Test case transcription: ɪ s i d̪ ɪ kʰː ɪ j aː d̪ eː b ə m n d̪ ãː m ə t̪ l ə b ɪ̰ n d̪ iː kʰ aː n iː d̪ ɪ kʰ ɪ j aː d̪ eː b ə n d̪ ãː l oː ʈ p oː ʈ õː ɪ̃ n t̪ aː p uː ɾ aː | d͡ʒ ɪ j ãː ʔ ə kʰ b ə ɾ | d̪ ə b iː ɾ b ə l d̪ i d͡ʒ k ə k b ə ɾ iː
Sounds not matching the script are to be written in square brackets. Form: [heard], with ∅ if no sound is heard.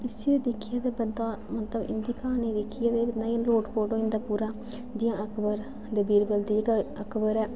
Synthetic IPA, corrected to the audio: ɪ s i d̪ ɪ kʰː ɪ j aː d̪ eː b ə [∅] n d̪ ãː m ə t̪ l ə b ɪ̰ n d̪ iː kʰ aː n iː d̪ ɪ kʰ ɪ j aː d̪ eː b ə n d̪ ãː l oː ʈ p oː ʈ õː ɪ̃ n [d̪] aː p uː ɾ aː | d͡ʒ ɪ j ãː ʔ ə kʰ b ə ɾ | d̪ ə b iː ɾ b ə l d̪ i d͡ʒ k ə k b ə ɾ [ɛː]